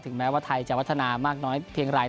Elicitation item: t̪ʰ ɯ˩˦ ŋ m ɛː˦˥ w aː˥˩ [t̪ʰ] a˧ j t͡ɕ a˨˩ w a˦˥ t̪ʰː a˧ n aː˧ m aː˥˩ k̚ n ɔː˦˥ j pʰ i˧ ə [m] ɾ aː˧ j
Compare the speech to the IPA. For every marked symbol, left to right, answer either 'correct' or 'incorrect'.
correct, incorrect

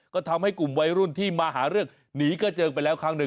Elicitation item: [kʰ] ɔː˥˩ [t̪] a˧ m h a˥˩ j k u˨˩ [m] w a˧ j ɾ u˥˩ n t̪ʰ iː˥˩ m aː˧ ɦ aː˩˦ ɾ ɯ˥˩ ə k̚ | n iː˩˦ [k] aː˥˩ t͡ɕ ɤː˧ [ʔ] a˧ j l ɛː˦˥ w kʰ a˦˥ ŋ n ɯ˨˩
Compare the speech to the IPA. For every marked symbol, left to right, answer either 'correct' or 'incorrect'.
incorrect, incorrect, correct, correct, incorrect

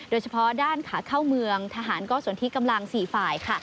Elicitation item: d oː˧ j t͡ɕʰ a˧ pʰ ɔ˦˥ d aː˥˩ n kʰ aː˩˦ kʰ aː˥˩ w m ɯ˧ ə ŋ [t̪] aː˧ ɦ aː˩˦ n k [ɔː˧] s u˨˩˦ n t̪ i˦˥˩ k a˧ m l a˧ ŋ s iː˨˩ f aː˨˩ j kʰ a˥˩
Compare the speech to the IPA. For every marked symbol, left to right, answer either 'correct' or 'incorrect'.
incorrect, incorrect

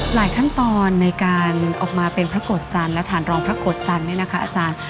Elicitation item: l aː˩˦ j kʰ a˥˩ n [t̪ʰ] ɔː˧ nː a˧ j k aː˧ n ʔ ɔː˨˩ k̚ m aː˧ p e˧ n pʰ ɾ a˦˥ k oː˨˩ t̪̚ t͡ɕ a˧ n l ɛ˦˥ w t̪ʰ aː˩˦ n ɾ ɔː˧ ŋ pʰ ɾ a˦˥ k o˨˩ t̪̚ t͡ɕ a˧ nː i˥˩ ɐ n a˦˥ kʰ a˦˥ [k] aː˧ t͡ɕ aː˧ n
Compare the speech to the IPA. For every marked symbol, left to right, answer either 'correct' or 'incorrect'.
incorrect, incorrect

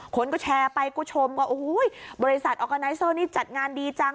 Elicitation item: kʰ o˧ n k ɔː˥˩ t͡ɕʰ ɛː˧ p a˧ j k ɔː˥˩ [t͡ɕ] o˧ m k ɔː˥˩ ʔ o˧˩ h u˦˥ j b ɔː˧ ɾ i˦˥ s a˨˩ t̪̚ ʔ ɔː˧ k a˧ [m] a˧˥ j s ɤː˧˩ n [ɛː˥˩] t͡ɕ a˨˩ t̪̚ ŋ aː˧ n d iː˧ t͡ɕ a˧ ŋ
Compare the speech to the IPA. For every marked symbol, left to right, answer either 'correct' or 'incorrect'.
incorrect, incorrect, incorrect

